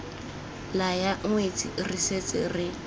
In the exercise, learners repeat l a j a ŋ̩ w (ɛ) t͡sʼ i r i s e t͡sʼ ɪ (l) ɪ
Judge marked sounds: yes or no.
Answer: no, no

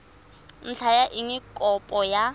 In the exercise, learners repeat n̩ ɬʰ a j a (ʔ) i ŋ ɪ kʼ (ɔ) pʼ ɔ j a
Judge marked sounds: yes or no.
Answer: yes, yes

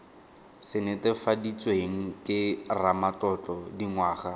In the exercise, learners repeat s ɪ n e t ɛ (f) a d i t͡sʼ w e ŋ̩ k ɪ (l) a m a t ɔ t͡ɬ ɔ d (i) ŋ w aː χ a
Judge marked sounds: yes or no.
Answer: yes, no, yes

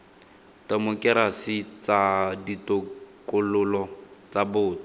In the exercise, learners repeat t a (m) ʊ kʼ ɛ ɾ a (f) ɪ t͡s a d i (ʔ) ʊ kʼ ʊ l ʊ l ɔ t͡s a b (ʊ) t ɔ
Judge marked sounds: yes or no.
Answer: yes, no, no, no

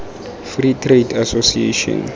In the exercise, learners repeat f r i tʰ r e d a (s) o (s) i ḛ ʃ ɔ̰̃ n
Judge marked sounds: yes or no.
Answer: yes, yes

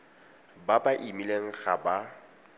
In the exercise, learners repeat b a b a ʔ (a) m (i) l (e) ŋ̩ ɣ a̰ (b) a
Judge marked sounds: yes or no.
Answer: no, yes, yes, yes

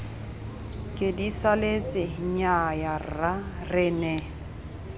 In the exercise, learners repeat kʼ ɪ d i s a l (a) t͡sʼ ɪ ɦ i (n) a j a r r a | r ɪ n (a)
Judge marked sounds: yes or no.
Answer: no, no, no

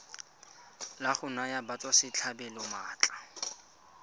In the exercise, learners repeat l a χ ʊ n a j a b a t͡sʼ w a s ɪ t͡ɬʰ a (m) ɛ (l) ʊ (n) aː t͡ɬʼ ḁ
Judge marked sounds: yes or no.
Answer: no, yes, no

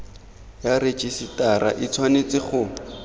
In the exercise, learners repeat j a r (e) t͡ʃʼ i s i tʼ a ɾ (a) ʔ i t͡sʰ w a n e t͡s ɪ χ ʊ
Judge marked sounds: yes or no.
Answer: yes, yes

